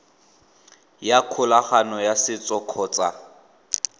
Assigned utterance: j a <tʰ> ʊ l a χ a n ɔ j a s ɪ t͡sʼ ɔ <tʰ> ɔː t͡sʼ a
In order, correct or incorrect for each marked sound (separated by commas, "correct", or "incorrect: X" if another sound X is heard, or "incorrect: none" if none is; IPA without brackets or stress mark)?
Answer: incorrect: kʰ, incorrect: kʰ